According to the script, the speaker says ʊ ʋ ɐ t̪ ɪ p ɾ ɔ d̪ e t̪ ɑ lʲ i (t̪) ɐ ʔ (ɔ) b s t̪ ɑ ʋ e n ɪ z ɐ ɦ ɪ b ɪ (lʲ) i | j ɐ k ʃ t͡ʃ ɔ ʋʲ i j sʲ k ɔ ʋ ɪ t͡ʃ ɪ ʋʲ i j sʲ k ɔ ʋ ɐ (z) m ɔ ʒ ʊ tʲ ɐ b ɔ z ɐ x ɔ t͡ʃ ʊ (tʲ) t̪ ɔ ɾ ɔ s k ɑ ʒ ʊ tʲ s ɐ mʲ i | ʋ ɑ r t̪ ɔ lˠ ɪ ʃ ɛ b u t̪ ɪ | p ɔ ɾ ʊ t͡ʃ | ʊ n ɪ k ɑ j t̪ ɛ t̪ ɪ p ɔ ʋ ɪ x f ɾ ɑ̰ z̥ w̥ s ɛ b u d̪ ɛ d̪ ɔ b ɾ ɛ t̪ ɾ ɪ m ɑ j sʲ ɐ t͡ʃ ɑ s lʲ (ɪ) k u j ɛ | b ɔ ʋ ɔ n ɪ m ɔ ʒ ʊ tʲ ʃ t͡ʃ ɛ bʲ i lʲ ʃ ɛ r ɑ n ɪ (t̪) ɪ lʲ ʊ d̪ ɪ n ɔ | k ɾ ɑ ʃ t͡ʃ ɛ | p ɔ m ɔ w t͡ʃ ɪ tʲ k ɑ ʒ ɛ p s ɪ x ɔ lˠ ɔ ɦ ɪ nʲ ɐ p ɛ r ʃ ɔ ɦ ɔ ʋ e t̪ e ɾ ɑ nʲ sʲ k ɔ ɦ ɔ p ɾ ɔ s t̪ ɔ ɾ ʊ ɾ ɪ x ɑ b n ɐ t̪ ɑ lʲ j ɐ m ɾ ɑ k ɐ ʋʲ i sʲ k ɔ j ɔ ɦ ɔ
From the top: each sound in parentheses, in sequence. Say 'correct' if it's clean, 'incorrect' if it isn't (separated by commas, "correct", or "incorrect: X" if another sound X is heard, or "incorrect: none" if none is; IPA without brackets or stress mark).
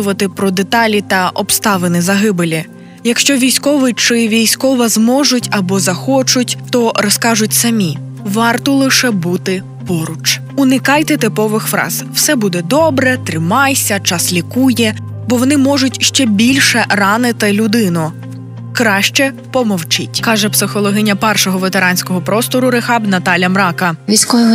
correct, correct, correct, correct, correct, incorrect: i, correct